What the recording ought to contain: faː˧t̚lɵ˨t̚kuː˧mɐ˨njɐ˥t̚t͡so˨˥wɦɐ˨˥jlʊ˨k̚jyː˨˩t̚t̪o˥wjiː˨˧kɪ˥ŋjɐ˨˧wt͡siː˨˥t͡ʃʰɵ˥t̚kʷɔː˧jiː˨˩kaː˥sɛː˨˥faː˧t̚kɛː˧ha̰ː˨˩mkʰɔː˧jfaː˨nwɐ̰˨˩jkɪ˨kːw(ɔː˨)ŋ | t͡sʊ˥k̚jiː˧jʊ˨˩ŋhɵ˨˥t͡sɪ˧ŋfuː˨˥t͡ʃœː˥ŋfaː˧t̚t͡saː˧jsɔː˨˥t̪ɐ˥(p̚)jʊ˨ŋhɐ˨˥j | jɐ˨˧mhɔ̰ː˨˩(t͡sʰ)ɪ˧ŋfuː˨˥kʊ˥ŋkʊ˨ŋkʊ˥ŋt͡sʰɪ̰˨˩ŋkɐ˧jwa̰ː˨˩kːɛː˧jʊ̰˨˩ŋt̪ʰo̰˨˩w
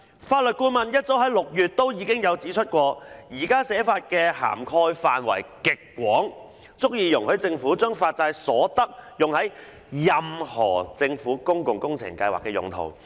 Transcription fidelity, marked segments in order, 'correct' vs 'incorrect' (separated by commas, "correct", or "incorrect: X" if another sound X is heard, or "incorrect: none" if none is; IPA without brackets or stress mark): incorrect: ɔː˨˥, incorrect: k̚, incorrect: t͡s